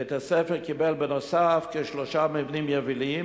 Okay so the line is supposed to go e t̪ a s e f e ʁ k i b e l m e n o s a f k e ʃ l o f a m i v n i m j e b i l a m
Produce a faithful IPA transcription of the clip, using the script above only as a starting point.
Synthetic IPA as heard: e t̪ a s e f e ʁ k i b e l b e n o s a f k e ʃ l o ʃ a m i v n i m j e v i l i m